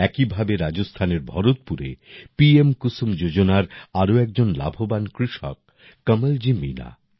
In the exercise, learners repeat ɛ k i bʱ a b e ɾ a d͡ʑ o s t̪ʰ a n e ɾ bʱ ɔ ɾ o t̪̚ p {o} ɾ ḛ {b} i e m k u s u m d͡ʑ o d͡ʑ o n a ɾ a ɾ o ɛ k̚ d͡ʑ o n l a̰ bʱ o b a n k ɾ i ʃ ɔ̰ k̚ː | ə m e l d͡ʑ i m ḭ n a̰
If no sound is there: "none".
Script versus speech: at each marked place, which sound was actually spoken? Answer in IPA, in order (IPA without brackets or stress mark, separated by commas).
u, p